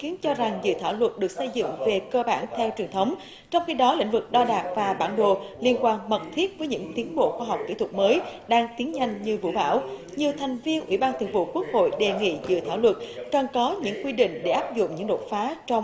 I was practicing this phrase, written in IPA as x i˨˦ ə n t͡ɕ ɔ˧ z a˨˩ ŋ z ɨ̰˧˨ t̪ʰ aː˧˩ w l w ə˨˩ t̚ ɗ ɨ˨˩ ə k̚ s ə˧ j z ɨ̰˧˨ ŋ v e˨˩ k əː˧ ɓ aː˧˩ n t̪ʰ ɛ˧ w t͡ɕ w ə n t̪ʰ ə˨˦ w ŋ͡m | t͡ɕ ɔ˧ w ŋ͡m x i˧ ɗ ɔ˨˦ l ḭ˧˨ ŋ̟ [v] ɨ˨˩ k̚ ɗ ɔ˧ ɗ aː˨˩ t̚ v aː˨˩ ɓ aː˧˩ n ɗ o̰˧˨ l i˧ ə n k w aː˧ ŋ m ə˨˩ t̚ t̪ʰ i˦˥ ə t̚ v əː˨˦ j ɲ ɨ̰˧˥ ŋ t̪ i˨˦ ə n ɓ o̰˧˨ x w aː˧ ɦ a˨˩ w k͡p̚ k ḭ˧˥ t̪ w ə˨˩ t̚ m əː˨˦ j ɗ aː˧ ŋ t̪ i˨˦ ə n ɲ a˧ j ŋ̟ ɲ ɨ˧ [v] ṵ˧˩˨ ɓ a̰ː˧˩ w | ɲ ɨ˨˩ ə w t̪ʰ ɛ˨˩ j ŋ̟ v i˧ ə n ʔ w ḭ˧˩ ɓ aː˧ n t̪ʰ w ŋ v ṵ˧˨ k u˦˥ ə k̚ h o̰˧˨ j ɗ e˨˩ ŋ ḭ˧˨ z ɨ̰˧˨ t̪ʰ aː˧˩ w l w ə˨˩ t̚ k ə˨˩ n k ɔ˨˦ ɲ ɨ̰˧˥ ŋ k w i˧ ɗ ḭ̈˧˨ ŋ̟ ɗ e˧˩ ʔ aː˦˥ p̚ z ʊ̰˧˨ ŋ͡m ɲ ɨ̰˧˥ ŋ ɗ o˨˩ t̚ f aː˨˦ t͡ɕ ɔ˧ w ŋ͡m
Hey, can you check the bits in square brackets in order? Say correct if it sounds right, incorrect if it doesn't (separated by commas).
correct, correct